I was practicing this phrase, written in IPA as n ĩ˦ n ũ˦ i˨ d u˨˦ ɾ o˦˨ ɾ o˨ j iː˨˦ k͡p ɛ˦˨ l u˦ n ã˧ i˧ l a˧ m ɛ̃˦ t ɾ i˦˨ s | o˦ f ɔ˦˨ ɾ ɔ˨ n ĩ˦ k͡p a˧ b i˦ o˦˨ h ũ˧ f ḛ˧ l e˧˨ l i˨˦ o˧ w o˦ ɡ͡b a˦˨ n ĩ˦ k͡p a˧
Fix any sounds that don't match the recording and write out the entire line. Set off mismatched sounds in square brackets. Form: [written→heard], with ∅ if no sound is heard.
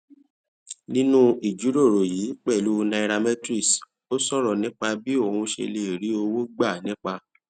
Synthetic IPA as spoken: n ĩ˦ n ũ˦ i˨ [d→d͡ʒ] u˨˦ ɾ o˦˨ ɾ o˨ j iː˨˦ k͡p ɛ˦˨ l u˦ n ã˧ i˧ [l→ɾ] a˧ m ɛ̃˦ t ɾ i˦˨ s | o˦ [f→s] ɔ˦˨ ɾ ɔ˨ n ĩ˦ k͡p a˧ b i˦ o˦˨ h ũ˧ [f→ʃ] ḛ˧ l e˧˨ [l→ɾ] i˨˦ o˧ w o˦ ɡ͡b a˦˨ n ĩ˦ k͡p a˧